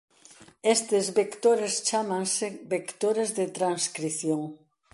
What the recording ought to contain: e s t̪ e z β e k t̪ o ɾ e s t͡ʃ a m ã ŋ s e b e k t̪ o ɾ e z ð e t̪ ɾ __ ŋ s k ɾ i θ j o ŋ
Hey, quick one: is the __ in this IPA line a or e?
a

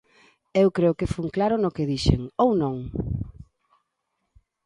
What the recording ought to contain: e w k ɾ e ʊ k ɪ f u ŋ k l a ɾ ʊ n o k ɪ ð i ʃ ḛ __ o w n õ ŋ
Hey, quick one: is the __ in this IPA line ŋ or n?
ŋ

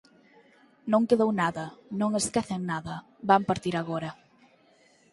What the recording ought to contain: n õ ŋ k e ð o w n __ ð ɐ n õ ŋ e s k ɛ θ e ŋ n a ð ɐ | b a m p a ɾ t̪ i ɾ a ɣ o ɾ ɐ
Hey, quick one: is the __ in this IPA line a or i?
a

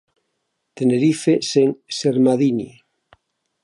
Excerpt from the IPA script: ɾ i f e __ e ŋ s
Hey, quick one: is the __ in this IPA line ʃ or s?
s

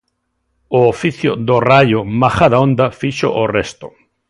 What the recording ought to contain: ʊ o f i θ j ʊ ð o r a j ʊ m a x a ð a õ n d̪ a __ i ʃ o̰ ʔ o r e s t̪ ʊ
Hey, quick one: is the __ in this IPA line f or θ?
f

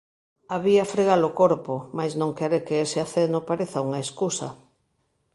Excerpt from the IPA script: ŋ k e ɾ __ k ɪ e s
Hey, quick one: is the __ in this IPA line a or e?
e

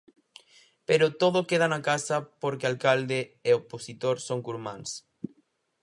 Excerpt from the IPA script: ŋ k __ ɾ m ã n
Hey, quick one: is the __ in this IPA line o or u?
u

